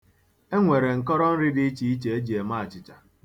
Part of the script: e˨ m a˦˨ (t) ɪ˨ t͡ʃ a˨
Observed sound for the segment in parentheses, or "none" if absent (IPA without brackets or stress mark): t͡ʃ